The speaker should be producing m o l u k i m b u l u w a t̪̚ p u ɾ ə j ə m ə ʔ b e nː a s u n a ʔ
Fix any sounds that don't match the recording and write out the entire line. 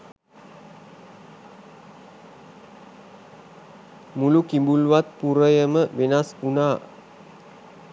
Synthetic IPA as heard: m u l u k i m b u l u w a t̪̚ p u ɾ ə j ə m ə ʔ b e n a s u n a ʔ